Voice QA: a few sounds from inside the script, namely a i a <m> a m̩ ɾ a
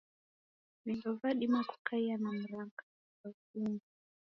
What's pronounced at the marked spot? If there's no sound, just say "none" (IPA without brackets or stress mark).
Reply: n